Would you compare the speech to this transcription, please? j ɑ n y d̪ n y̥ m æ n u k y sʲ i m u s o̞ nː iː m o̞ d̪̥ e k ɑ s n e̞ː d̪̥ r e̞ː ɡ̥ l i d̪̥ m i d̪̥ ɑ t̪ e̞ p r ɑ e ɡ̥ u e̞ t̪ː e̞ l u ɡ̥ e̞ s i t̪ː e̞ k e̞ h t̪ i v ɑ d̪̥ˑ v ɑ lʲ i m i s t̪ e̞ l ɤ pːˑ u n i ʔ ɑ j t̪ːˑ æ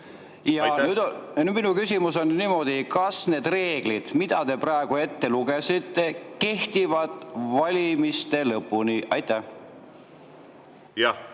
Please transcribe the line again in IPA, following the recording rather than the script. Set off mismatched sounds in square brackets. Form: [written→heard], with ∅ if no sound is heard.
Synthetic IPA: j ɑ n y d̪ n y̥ m [æ→i] n u k y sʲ i m u s o̞ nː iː m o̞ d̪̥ [e→i] k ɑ s n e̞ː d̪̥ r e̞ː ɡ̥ l i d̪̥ m i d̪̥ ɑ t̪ e̞ p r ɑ e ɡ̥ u e̞ t̪ː e̞ l u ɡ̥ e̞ s i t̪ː e̞ k e̞ h t̪ i v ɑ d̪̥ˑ v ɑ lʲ i m i s t̪ e̞ l ɤ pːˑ u n i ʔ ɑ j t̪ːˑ æ

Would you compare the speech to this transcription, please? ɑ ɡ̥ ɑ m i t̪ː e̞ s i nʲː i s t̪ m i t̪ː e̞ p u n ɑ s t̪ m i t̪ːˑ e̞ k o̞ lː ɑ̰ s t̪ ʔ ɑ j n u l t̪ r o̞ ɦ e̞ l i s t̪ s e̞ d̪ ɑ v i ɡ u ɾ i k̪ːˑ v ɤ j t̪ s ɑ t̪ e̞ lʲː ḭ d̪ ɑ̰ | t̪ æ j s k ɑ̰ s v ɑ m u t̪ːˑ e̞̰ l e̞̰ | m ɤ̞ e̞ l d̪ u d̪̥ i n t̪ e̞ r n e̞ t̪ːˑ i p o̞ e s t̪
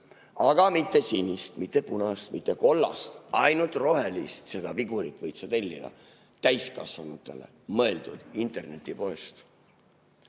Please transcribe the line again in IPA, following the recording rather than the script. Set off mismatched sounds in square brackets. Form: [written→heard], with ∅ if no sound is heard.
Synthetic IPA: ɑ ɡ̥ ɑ m i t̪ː e̞ s i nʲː i s t̪ m i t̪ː e̞ p u n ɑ s t̪ m i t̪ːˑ e̞ k o̞ lː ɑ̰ s t̪ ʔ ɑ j n u l t̪ r o̞ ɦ e̞ l i s t̪ s e̞ d̪ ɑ v i ɡ u ɾ i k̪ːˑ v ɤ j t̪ s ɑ t̪ e̞ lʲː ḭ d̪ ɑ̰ | t̪ æ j s k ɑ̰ s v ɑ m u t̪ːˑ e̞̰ l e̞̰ | m ɤ̞ e̞ l d̪ u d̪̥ i n t̪ e̞ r n e̞ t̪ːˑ i p o̞ e s t̪

